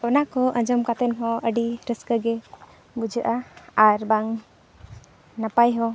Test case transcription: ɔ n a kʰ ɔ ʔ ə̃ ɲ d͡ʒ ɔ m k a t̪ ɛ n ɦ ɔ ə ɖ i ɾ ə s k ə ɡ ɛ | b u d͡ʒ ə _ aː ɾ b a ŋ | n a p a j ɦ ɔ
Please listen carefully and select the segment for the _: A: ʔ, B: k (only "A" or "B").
A